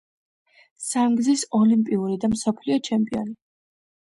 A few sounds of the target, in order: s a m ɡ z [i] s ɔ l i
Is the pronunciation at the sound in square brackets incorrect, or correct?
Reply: correct